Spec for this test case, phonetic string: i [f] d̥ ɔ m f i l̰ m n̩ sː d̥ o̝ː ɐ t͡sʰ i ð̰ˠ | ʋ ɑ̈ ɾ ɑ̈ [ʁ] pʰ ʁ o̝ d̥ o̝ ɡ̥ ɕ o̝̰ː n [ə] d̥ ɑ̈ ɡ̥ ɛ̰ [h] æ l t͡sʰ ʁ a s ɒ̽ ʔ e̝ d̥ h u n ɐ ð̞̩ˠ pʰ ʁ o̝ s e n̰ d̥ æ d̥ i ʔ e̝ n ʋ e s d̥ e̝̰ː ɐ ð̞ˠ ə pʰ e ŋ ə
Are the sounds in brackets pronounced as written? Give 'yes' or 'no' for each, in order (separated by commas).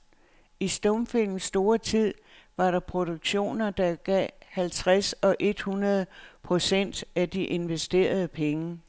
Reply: no, no, no, yes